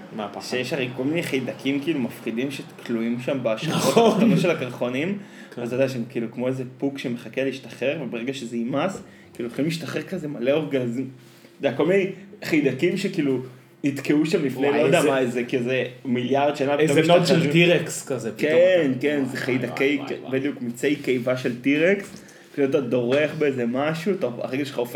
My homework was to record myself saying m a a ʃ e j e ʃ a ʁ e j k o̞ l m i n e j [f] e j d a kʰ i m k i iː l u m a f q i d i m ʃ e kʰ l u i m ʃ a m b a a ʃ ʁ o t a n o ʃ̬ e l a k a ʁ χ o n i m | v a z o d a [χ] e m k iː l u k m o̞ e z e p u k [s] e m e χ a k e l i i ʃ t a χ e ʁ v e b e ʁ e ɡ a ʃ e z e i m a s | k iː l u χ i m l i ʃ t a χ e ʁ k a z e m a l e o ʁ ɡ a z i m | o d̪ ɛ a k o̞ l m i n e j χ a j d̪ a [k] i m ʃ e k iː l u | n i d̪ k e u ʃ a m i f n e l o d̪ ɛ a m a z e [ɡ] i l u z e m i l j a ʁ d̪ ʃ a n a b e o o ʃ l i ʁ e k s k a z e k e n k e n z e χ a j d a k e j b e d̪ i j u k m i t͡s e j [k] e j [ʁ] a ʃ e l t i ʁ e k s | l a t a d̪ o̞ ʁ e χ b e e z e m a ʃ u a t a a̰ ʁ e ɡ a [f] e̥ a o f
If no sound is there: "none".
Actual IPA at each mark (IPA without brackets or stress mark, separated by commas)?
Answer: χ, ʃ, ʃ, k, k, k, v, ʃ